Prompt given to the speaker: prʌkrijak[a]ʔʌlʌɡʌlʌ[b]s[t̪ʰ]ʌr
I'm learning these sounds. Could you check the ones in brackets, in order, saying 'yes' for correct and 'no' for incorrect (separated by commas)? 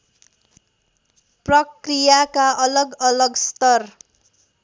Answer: yes, no, no